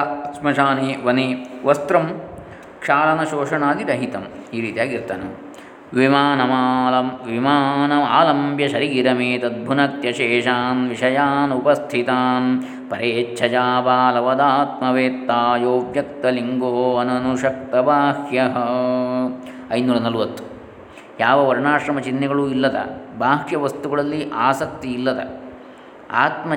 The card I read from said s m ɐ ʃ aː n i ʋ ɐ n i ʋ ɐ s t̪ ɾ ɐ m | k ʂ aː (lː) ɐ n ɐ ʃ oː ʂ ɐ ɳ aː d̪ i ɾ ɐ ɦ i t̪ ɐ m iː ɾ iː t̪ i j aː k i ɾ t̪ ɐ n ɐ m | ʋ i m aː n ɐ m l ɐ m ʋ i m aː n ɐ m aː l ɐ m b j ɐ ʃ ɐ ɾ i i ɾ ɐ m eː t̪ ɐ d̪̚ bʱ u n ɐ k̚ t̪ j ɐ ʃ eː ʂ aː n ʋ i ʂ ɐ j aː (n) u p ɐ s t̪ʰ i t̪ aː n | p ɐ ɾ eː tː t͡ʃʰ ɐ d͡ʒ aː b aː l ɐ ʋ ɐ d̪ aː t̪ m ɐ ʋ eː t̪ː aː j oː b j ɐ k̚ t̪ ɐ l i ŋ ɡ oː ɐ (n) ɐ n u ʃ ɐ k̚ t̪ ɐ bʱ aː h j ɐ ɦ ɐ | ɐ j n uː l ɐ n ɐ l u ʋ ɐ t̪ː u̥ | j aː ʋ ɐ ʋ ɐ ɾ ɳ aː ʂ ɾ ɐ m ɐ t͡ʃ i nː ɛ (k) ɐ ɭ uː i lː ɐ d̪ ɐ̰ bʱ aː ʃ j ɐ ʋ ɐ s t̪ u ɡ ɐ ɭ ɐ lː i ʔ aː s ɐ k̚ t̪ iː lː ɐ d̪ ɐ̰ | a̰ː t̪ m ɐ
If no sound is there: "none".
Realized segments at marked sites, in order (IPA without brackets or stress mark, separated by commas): l, n, n, ɡ